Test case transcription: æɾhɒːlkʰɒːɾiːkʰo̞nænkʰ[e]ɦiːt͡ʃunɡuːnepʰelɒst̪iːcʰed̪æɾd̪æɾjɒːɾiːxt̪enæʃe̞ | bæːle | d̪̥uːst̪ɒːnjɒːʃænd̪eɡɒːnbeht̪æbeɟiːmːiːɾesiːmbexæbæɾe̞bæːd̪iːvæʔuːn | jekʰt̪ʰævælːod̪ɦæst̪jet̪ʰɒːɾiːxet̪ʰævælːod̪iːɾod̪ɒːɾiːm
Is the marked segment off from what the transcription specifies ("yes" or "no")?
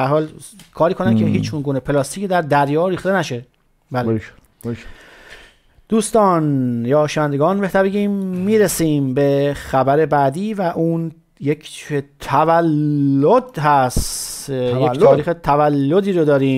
no